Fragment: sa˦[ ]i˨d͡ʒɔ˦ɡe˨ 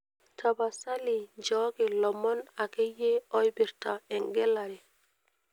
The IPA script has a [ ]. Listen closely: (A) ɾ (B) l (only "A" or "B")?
B